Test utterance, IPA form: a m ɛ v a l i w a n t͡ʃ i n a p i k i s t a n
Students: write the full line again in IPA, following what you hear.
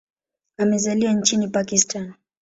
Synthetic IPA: a m ɛ z a l i w a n t͡ʃ i n i p a k i s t a n